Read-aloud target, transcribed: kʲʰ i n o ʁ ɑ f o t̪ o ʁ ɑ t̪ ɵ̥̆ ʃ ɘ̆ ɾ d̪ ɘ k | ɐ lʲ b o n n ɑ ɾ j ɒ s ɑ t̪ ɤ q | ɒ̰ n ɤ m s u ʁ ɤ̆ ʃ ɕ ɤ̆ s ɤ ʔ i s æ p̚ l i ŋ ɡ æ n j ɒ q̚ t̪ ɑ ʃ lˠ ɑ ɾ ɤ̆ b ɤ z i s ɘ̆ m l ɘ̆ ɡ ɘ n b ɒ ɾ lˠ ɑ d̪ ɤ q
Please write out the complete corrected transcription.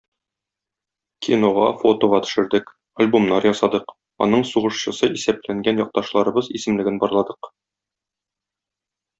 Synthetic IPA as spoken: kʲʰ i n o ʁ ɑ f o t̪ o ʁ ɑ t̪ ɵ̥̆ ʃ ɘ̆ ɾ d̪ ɘ k | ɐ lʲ b o m n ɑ ɾ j ɒ s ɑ d̪ ɤ q | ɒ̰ n ɤ ɴ s u ʁ ɤ̆ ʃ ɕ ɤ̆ s ɤ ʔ i s æ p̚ l æ ŋ ɡ æ n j ɒ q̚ t̪ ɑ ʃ lˠ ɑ ɾ ɤ̆ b ɤ z i s ɘ̆ m l ɘ̆ ɡ ɘ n b ɒ ɾ lˠ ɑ d̪ ɤ q